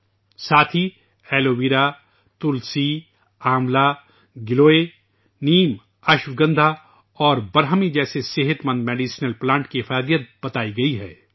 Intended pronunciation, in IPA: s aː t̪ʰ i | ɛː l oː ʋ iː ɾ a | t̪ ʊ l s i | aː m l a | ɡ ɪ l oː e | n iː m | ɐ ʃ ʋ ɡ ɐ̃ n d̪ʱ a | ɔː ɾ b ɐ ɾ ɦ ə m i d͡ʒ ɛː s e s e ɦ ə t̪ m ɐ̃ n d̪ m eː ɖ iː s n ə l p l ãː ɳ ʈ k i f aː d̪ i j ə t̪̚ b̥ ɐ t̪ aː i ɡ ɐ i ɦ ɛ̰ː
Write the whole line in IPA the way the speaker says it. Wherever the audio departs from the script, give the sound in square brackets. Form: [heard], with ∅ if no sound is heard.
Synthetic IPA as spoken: s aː t̪ʰ i | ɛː l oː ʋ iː ɾ a | t̪ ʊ l s i | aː m l a | ɡ ɪ l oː e | n iː m | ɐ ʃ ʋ ɡ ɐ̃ n d̪ʱ a | ɔː ɾ b ɐ ɾ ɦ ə m i d͡ʒ ɛː s e s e ɦ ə t̪ m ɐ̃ n d̪ m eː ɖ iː s n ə l p l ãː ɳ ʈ k i f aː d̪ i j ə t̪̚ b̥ ɐ t̪ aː i ɡ ɐ i ɦ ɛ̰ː